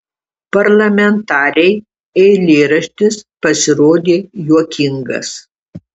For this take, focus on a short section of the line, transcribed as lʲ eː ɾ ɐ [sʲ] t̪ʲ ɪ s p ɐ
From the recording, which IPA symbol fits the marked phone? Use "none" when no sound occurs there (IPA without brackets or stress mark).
ʃʲ